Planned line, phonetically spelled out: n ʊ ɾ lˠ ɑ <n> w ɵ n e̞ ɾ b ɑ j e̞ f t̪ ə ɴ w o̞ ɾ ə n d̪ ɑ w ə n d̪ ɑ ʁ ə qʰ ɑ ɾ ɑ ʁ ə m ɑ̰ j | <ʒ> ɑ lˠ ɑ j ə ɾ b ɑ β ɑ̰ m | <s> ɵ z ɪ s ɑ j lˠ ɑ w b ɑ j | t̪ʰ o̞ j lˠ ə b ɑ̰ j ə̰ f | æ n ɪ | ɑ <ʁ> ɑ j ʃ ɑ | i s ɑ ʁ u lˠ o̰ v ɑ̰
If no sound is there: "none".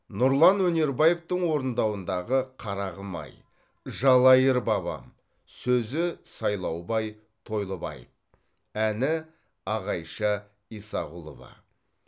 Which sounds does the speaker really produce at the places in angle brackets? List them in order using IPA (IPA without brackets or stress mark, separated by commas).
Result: n, ʒ, s, ʁ